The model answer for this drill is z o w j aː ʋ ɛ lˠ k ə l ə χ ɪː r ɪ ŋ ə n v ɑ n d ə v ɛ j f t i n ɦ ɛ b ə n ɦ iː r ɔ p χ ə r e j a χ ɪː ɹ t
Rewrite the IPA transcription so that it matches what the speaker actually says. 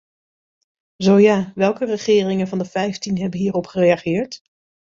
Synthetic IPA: z o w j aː ʋ ɛ lˠ k ə r ə χ ɪː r ɪ ŋ ə n v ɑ n d ə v ɛ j f t i n ɦ ɛ b ə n ɦ iː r ɔ p χ ə r e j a χ ɪː ɹ t